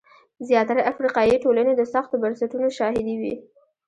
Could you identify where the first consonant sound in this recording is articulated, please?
alveolar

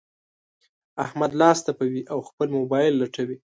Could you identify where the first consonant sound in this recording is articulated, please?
glottal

